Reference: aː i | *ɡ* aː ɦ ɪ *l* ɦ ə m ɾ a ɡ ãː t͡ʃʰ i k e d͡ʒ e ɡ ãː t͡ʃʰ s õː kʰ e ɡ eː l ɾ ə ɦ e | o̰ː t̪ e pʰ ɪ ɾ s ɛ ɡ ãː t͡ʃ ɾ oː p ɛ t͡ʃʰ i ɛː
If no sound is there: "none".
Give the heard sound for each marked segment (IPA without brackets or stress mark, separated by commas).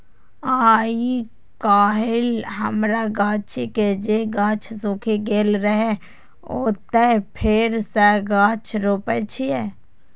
k, l